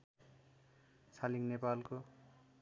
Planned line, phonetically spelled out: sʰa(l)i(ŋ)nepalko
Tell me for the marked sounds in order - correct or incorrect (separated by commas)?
correct, correct